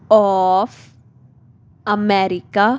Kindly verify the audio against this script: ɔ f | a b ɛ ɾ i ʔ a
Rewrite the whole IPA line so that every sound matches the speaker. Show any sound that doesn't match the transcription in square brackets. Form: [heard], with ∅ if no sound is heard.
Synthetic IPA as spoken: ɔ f | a [m] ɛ ɾ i [k] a